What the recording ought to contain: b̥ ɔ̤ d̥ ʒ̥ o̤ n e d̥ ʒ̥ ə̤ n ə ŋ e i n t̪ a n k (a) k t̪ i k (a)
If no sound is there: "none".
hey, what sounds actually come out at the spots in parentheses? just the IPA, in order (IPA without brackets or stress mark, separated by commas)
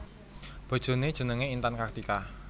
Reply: a, a